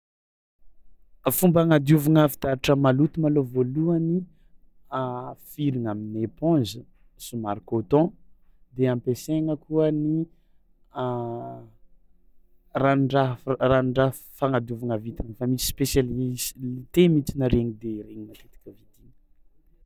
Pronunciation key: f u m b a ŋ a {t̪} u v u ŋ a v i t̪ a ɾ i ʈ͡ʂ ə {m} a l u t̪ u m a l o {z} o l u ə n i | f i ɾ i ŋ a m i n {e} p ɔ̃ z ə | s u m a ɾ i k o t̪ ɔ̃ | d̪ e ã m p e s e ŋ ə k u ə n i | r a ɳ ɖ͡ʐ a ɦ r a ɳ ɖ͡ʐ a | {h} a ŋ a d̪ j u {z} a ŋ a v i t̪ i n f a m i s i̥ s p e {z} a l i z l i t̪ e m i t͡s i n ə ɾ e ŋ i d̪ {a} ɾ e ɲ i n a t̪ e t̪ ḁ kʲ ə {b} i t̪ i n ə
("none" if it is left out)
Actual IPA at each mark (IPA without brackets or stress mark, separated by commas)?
d̪, m, v, e, f, v, s, e, v